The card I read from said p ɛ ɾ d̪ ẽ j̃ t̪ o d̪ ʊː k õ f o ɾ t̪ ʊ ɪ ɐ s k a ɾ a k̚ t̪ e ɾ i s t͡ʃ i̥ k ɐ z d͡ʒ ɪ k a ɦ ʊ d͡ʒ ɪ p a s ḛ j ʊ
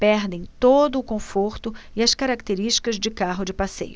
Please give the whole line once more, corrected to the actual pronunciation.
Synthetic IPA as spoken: p ɛ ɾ d̪ ẽ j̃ t̪ o d̪ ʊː k õ f o ɾ t̪ ʊ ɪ ɐ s k a ɾ a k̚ t̪ e ɾ i ʃ t͡ʃ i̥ k ɐ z d͡ʒ ɪ k a ɦ ʊ d͡ʒ ɪ p a s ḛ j ʊ